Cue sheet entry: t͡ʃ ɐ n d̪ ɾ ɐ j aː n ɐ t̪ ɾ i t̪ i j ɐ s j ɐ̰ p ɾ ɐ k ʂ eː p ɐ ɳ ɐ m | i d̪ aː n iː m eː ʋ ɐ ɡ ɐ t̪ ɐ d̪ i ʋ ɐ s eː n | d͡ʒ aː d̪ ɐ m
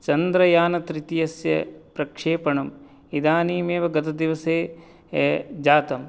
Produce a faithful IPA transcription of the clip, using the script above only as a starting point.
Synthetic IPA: t͡ʃ ɐ n d̪ ɾ ɐ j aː n ɐ t̪ ɾ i t̪ i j ɐ s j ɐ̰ p ɾ ɐ k ʂ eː p ɐ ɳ ɐ m | i d̪ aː n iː m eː ʋ ɐ ɡ ɐ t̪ ɐ d̪ i ʋ ɐ s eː | d͡ʒ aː t̪ ɐ m